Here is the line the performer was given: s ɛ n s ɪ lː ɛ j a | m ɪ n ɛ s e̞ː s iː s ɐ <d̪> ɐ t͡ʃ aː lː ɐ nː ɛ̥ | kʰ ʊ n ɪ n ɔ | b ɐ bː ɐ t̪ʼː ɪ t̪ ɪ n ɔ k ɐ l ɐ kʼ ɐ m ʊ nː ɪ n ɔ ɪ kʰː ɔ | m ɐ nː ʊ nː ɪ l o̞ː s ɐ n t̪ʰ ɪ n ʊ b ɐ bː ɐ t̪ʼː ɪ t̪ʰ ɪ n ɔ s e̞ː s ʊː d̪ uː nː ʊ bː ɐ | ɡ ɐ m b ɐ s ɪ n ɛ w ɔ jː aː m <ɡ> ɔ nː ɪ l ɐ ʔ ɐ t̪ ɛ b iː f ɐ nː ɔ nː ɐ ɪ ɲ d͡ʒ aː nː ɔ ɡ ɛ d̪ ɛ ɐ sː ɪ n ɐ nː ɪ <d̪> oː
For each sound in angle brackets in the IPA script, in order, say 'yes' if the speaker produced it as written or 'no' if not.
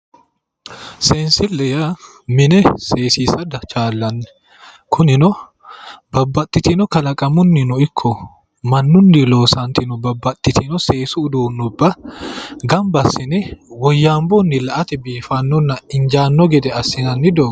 yes, no, yes

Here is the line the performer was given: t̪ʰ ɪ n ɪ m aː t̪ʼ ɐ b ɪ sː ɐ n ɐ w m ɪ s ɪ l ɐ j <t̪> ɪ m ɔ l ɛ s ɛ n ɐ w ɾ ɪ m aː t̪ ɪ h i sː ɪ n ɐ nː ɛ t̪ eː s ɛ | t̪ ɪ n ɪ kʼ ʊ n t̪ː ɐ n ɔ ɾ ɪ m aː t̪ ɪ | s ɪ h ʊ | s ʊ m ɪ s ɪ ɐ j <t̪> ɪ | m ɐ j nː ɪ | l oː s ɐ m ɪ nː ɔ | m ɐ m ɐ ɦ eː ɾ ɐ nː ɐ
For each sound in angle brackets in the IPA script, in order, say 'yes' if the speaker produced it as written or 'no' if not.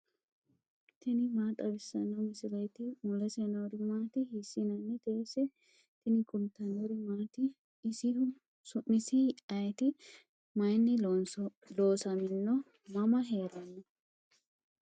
yes, yes

